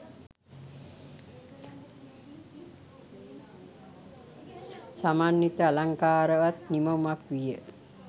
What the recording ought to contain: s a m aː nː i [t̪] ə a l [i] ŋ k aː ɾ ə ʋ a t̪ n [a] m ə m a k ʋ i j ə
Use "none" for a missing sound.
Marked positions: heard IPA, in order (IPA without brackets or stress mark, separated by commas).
t̪, a, i